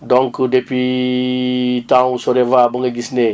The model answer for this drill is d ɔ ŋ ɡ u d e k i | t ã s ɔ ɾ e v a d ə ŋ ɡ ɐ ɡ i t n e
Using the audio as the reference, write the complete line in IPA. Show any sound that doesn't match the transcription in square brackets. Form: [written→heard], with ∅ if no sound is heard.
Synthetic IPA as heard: d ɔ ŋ [ɡ→k] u d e [k→p] i | t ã s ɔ ɾ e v a [d→b] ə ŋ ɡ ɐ ɡ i [t→s] n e